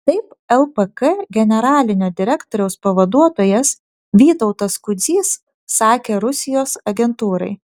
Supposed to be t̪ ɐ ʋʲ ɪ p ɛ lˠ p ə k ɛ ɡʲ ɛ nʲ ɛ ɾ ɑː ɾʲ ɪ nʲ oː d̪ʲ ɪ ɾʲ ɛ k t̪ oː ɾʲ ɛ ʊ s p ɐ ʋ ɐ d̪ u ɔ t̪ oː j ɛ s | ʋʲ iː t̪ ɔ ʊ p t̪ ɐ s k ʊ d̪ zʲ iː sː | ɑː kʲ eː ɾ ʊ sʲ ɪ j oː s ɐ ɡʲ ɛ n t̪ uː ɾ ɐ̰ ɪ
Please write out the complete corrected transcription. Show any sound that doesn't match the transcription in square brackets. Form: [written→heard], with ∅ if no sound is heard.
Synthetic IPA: t̪ ɐ [ʋʲ→∅] ɪ p ɛ lˠ p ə k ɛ ɡʲ ɛ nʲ ɛ ɾ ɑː [ɾʲ→lʲ] ɪ nʲ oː d̪ʲ ɪ ɾʲ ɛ k t̪ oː ɾʲ ɛ ʊ s p ɐ ʋ ɐ d̪ u ɔ t̪ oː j ɛ s | ʋʲ iː t̪ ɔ ʊ [p→∅] t̪ ɐ s k ʊ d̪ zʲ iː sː | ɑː kʲ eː ɾ ʊ sʲ ɪ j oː s ɐ ɡʲ ɛ n t̪ uː ɾ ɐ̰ ɪ

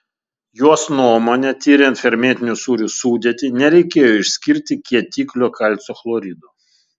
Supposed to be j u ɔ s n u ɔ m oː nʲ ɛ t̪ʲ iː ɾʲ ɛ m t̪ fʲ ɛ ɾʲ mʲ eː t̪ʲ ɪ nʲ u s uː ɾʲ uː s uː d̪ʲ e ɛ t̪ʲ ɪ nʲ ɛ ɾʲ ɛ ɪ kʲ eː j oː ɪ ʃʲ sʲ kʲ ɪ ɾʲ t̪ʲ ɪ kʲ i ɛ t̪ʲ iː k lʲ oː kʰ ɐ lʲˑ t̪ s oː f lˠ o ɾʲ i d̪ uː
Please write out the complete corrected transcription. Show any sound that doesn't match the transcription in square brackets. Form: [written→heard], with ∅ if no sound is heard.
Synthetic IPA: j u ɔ s n u ɔ m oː nʲ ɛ t̪ʲ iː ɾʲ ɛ [m→n] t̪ fʲ ɛ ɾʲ mʲ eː t̪ʲ ɪ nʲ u s uː ɾʲ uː s uː d̪ʲ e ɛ t̪ʲ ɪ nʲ ɛ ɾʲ ɛ ɪ kʲ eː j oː ɪ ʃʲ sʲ kʲ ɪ ɾʲ t̪ʲ ɪ kʲ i ɛ t̪ʲ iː k lʲ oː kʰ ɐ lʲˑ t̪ s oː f lˠ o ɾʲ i d̪ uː

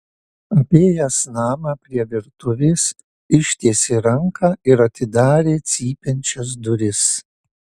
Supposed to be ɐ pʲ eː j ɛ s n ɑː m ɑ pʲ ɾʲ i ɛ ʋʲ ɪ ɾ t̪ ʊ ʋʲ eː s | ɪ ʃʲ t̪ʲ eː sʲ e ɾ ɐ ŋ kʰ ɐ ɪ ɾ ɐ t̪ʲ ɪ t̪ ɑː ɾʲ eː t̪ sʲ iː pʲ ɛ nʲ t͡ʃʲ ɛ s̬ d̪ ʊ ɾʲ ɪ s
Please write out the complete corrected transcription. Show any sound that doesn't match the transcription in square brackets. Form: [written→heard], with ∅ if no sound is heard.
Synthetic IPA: ɐ pʲ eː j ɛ s n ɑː m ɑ pʲ ɾʲ i ɛ ʋʲ ɪ ɾ t̪ ʊ ʋʲ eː s | ɪ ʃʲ t̪ʲ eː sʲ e ɾ ɐ ŋ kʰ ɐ ɪ ɾ ɐ t̪ʲ ɪ [t̪→d̪] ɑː ɾʲ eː t̪ sʲ iː pʲ ɛ nʲ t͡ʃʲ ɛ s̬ d̪ ʊ ɾʲ ɪ s

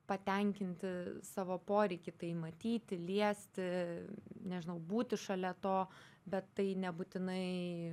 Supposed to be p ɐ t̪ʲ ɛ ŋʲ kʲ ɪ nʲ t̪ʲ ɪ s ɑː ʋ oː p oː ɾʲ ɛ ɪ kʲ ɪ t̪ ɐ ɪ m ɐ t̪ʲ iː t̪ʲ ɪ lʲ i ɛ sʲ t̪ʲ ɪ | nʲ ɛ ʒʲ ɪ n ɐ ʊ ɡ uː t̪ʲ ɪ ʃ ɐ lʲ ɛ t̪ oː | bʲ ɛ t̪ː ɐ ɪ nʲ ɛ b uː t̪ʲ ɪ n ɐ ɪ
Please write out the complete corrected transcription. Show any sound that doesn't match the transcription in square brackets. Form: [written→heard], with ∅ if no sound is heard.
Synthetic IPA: p ɐ t̪ʲ ɛ ŋʲ kʲ ɪ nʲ t̪ʲ ɪ s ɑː ʋ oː p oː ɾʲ ɛ ɪ kʲ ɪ t̪ ɐ ɪ m ɐ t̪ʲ iː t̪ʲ ɪ lʲ i ɛ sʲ t̪ʲ ɪ | nʲ ɛ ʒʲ ɪ n ɐ ʊ [ɡ→b] uː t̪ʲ ɪ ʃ ɐ lʲ ɛ t̪ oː | bʲ ɛ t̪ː ɐ ɪ nʲ ɛ b uː t̪ʲ ɪ n ɐ ɪ

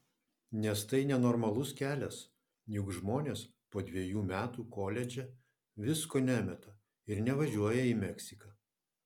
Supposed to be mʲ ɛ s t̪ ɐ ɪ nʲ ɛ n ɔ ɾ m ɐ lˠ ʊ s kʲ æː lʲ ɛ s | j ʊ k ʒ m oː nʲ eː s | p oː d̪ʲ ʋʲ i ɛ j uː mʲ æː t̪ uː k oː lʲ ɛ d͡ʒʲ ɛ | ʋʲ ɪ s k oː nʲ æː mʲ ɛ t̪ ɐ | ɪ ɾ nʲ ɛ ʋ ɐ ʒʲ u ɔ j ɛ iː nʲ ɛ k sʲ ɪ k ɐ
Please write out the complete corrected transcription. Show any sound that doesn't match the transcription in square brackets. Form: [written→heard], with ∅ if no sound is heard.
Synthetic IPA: [mʲ→nʲ] ɛ s t̪ ɐ ɪ nʲ ɛ n ɔ ɾ m ɐ lˠ ʊ s kʲ æː lʲ ɛ s | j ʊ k ʒ m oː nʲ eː s | p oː d̪ʲ ʋʲ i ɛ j uː mʲ æː t̪ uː k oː lʲ ɛ d͡ʒʲ ɛ | ʋʲ ɪ s k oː nʲ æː mʲ ɛ t̪ ɐ | ɪ ɾ nʲ ɛ ʋ ɐ ʒʲ u ɔ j ɛ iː [nʲ→mʲ] ɛ k sʲ ɪ k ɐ

